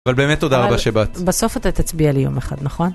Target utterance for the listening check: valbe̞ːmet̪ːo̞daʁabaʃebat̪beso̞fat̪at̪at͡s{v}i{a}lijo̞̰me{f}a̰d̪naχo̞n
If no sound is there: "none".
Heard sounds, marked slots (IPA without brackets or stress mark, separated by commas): b, a, χ